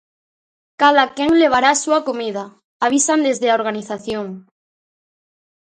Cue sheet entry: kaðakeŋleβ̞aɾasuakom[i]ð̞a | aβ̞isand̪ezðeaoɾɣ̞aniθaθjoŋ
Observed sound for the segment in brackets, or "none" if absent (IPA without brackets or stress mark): i